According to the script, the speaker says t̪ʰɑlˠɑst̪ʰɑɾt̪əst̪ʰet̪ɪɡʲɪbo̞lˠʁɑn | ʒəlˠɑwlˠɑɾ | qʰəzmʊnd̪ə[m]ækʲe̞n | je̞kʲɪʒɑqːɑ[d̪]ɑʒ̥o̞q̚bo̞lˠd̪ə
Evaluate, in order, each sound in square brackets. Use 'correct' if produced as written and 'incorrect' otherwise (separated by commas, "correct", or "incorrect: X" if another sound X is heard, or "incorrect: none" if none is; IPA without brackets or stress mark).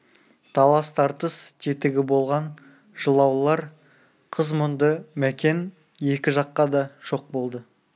correct, correct